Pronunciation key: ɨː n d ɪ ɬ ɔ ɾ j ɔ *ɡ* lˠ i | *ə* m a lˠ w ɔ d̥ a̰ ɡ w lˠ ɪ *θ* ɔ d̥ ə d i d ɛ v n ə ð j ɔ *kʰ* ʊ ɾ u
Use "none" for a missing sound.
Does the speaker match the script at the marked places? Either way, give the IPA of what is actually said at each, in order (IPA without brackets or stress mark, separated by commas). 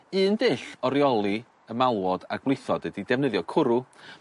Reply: none, ə, θ, kʰ